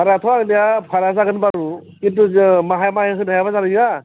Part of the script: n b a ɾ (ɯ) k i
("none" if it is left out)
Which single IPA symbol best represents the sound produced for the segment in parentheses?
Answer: u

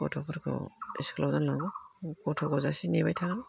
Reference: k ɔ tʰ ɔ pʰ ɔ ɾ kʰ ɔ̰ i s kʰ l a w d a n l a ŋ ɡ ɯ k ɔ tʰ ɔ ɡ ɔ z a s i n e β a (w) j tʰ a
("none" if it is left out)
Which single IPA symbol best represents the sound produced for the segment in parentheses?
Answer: none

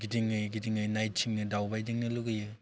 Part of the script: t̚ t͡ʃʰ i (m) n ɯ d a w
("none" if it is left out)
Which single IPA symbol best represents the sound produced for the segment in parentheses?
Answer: ŋ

